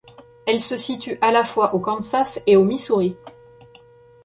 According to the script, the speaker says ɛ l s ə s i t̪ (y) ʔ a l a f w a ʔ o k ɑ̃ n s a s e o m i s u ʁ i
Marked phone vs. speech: correct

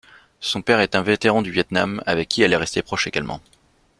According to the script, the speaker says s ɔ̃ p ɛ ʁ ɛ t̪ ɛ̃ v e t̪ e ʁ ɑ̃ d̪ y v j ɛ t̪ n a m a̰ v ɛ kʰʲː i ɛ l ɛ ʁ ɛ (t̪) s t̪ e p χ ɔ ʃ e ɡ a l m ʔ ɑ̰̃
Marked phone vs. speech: incorrect: none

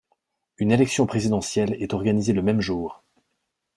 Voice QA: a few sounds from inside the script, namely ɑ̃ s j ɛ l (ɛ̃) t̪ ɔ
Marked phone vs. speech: incorrect: ɛ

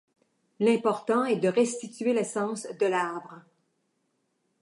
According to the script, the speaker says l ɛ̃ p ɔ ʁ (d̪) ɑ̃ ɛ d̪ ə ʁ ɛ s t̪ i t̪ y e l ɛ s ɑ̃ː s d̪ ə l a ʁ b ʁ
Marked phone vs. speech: incorrect: t̪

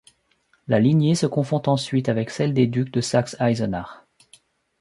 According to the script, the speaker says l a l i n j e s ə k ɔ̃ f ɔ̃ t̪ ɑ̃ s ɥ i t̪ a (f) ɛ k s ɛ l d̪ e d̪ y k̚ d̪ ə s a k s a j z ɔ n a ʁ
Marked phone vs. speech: incorrect: v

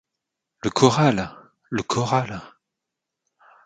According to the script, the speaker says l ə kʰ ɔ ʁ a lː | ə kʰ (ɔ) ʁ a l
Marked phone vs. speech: correct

